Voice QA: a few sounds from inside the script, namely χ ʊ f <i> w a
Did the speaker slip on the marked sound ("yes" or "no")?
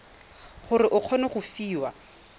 yes